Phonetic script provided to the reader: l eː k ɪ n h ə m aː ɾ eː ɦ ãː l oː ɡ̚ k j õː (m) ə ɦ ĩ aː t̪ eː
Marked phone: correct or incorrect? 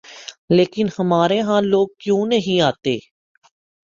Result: incorrect